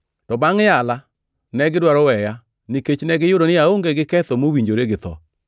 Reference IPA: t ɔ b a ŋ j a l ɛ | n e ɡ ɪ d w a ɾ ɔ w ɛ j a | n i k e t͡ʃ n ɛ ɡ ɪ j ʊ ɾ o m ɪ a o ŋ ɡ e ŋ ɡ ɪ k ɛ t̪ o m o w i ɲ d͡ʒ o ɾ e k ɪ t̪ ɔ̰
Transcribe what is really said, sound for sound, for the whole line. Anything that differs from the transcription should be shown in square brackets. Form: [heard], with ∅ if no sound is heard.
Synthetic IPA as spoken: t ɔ b a ŋ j a l [a] | n [ɛ] ɡ ɪ d w a ɾ ɔ w ɛ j a | n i k e t͡ʃ n ɛ ɡ ɪ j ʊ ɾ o [n] ɪ a o ŋ ɡ e [∅] ɡ ɪ k ɛ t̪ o m o w i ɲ d͡ʒ o ɾ e [ɡ] ɪ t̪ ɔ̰

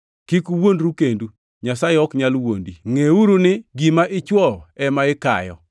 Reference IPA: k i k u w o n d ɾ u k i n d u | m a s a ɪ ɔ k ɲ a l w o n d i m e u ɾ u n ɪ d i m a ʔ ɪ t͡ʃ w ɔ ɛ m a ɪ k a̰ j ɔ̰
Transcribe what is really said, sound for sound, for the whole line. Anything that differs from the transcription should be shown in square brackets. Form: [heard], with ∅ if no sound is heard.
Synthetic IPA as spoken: k i k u w o n d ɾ u k [e] n d u | [ɲ] a s a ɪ ɔ k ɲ a l w o n d i [ŋ] e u ɾ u n ɪ [ɡ] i m a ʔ ɪ t͡ʃ w ɔ ɛ m a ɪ k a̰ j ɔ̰

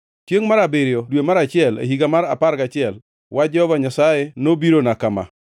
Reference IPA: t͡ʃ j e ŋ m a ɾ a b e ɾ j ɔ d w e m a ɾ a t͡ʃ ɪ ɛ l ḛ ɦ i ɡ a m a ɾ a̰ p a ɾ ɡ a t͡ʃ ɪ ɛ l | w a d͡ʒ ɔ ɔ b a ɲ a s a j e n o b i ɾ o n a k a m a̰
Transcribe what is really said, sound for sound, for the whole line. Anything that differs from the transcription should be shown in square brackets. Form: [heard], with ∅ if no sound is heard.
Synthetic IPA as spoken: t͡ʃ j e ŋ m a ɾ a b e ɾ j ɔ d w e m a ɾ a t͡ʃ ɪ ɛ l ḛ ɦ i ɡ a m a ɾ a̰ p a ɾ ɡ a t͡ʃ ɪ ɛ l | w a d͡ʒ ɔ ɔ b a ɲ a s a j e n o b i ɾ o n a k a m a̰

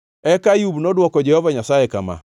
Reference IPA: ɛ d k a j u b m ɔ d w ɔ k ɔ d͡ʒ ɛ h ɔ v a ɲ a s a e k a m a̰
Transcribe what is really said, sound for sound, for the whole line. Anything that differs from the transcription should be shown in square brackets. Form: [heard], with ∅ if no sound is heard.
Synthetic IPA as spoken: ɛ [∅] k a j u b [n] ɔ d w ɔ k ɔ d͡ʒ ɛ h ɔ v a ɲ a s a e k a m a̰

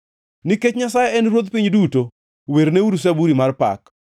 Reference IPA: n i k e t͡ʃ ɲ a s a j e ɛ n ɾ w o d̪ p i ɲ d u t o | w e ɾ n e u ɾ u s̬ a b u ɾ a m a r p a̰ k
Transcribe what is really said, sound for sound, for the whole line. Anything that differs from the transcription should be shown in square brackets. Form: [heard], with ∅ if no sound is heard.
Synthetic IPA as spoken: n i k e t͡ʃ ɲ a s a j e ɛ n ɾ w o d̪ p i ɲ d u t o | w e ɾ n e u ɾ u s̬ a b u ɾ [i] m a r p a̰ k

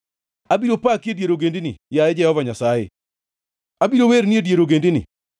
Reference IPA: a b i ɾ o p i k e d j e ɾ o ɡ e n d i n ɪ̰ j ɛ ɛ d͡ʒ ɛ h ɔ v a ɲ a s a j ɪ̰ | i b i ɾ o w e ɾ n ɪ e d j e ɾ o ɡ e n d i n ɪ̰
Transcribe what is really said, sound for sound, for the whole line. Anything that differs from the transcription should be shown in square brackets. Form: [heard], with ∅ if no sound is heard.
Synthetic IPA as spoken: a b i ɾ o p [a] k e d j e ɾ o ɡ e n d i n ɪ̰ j [a] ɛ d͡ʒ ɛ h ɔ v a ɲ a s a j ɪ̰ | [a] b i ɾ o w e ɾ n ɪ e d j e ɾ o ɡ e n d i n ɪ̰

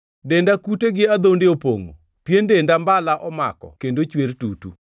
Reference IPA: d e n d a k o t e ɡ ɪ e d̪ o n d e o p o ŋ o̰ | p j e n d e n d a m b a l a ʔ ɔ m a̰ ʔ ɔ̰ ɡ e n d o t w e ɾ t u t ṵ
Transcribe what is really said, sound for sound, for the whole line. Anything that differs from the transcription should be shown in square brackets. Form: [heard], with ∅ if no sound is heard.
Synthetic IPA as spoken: d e n d a k [u] t e ɡ ɪ [a] d̪ o n d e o p o ŋ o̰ | p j e n d e n d a m b a l a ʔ ɔ m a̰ [k] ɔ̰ [k] e n d o [t͡ʃ] w e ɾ t u t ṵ

